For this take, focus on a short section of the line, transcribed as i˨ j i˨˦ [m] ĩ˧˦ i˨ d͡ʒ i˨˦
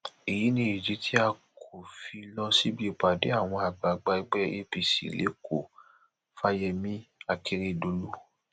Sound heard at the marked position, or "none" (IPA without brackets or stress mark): n